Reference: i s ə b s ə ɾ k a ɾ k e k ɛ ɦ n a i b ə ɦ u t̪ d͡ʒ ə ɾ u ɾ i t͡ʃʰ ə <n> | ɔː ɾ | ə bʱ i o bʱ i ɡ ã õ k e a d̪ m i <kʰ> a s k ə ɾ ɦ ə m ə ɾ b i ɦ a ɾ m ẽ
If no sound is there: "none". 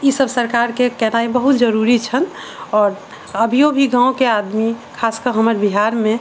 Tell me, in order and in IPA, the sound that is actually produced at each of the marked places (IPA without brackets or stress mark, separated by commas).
n, kʰ